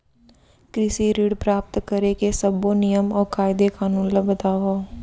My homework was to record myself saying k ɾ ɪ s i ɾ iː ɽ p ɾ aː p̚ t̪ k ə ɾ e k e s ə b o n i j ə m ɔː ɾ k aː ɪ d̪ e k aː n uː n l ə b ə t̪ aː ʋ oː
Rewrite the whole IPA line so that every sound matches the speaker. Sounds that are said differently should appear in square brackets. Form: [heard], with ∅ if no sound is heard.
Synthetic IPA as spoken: k ɾ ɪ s i ɾ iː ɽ p ɾ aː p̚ t̪ k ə ɾ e k e s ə b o n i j ə m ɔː ɾ k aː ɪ d̪ e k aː n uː n l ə b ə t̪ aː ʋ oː